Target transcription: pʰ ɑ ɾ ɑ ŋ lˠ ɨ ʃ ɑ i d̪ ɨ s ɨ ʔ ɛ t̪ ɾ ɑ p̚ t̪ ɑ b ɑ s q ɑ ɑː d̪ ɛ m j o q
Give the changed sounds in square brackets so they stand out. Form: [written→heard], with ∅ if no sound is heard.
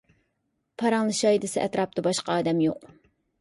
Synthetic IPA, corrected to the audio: pʰ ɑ ɾ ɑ ŋ lˠ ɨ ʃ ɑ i d̪ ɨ s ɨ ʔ ɛ t̪ ɾ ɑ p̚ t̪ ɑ b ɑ [s→ʃ] q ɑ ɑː d̪ ɛ m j o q